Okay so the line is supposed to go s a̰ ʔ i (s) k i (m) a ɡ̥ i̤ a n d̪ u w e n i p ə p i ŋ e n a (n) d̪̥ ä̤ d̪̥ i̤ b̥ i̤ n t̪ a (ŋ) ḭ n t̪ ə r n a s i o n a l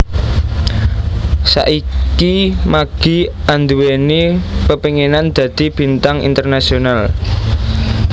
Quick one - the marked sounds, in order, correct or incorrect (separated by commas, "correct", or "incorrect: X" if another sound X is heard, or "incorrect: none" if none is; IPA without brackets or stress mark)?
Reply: incorrect: none, correct, correct, correct